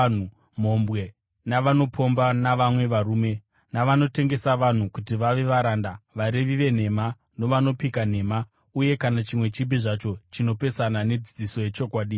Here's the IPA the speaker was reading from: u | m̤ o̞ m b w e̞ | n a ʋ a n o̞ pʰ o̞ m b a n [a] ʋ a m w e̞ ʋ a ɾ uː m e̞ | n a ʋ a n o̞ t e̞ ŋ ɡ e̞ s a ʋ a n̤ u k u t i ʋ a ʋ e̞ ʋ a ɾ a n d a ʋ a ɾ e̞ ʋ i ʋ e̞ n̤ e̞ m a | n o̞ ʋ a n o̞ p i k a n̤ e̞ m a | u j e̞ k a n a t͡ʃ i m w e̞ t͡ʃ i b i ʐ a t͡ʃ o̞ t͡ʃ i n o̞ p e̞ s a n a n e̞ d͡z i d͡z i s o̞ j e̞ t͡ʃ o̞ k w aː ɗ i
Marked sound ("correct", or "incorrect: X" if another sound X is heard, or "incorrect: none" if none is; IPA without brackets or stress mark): correct